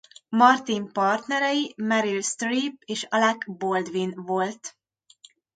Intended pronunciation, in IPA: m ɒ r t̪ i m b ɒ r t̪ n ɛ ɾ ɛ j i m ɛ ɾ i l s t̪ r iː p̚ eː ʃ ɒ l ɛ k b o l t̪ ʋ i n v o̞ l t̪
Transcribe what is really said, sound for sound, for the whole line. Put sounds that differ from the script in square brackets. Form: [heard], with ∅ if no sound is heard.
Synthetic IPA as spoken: m ɒ r t̪ i m [p] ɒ r t̪ n ɛ ɾ ɛ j i m ɛ ɾ i l s t̪ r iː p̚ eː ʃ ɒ l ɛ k b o l [d̪] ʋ i n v o̞ l t̪

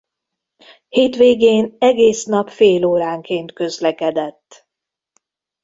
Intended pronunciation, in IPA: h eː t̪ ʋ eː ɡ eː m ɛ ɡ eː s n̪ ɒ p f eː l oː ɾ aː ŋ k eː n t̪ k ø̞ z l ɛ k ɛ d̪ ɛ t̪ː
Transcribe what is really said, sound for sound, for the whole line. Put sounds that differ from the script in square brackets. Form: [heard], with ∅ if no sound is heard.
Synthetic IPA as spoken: h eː t̪ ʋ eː ɡ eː [n] ɛ ɡ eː s n̪ ɒ p f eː l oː ɾ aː ŋ k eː n t̪ k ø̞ z l ɛ k ɛ d̪ ɛ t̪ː

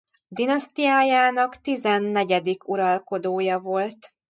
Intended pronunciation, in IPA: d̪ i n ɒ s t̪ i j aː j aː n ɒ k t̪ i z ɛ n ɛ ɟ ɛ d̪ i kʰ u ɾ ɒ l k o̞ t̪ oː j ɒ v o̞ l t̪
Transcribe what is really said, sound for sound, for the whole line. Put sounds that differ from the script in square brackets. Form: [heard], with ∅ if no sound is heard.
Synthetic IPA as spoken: d̪ i n ɒ s t̪ i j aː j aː n ɒ k t̪ i z ɛ [nː] ɛ ɟ ɛ d̪ i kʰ u ɾ ɒ l k o̞ [d̪] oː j ɒ v o̞ l t̪

